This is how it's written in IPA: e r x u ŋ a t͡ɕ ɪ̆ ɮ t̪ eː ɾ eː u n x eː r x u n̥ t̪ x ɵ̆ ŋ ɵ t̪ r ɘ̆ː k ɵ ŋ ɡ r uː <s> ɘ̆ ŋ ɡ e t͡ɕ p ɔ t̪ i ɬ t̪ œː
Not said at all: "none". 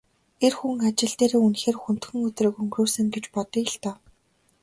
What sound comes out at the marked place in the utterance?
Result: s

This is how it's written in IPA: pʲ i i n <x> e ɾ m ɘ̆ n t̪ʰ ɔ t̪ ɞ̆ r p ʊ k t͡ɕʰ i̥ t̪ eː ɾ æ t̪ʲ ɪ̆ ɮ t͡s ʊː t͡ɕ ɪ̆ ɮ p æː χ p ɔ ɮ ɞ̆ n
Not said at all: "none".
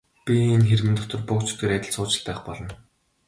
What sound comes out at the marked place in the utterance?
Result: x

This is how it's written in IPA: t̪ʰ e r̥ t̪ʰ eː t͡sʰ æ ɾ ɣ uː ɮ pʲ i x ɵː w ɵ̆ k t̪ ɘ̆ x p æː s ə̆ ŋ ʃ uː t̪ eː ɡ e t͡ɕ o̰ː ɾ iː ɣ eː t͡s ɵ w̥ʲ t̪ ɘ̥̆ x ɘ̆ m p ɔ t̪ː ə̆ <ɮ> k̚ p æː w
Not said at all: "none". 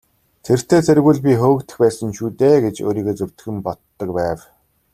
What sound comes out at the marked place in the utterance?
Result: none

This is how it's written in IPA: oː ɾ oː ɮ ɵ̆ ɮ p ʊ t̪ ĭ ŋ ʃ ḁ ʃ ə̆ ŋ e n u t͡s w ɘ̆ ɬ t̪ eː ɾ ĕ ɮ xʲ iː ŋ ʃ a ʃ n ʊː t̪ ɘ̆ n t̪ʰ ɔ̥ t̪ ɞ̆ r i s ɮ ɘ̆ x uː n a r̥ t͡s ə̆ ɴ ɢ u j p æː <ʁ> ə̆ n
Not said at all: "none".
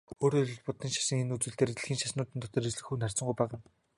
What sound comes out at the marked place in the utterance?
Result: ʁ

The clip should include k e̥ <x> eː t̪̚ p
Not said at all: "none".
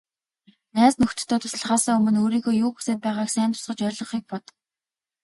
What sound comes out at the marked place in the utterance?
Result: s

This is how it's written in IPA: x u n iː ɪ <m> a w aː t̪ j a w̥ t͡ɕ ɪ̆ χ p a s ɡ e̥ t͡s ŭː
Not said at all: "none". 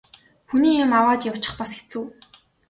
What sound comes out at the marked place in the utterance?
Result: m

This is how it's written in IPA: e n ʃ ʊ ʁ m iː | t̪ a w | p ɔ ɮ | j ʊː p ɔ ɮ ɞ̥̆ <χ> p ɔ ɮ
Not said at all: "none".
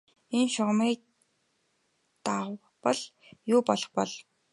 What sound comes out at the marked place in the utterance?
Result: χ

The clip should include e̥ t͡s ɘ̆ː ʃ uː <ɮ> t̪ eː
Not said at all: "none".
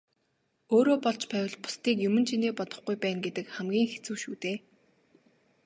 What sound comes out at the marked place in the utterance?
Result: none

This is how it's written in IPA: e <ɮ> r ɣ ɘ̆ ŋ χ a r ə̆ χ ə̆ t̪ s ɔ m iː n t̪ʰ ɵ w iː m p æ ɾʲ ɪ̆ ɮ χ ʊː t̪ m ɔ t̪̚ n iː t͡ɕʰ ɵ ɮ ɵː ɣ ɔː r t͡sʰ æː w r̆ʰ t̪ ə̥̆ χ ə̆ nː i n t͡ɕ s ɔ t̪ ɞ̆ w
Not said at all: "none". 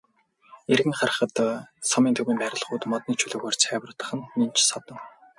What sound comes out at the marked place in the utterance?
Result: none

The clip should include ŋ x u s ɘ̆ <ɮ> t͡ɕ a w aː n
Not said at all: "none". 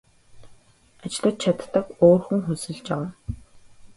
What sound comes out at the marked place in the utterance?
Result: ɮ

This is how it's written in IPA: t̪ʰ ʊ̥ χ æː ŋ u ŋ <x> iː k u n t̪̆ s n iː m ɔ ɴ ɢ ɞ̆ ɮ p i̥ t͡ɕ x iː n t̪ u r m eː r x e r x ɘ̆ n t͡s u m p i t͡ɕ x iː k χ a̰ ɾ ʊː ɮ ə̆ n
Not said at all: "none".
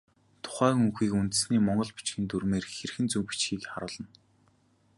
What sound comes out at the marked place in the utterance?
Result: x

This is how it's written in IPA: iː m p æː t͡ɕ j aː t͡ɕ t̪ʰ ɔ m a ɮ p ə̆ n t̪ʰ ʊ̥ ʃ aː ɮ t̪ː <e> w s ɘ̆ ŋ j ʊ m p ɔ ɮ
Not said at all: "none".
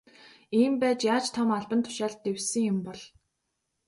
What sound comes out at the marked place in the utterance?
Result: e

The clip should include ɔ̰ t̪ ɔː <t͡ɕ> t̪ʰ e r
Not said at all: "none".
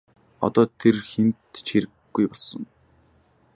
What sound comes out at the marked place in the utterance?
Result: none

